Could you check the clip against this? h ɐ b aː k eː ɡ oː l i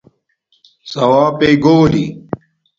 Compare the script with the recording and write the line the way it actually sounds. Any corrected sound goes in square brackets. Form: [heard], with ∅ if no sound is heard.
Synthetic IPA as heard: [s] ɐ [w] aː [p] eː ɡ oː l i

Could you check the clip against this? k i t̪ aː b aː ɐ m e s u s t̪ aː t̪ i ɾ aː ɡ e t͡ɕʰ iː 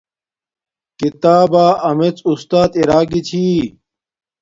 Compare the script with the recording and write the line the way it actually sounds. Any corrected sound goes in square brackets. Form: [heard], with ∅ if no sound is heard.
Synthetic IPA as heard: k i t̪ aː b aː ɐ m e [t͡s] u s t̪ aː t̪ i ɾ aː ɡ [i] t͡ɕʰ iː

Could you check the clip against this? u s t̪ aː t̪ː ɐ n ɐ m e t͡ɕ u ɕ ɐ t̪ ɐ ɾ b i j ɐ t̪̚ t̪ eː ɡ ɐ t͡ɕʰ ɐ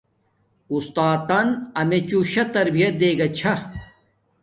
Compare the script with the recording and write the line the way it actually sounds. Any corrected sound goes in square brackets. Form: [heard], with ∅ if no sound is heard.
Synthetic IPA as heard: u s t̪ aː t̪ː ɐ n ɐ m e t͡ɕ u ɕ ɐ t̪ ɐ ɾ b i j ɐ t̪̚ [d̪] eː ɡ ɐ t͡ɕʰ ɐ

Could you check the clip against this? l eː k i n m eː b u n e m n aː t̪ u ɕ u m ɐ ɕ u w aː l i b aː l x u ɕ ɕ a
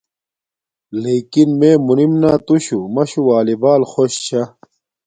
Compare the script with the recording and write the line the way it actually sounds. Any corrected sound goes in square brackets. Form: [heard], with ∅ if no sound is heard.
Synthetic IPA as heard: l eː k i n m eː [m] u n [i] m n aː t̪ u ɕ u m ɐ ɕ u w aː l i b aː l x [o] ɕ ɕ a

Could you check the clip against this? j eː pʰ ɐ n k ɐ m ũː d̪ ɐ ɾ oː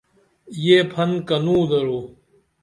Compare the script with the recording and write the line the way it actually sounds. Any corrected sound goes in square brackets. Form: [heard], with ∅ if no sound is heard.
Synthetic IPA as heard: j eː pʰ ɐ n k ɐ [n] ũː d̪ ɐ ɾ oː

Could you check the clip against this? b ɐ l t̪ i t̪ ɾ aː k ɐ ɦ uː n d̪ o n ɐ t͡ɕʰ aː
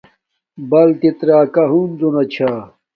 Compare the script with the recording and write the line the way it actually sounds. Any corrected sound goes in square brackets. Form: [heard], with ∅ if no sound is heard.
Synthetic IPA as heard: b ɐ l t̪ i t̪ ɾ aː k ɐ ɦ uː n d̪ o n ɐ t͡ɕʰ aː

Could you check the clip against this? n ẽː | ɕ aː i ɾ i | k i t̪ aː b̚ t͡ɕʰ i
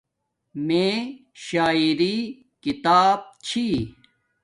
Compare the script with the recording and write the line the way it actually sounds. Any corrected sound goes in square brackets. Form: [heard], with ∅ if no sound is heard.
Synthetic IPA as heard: [m] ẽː | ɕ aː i ɾ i | k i t̪ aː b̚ t͡ɕʰ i

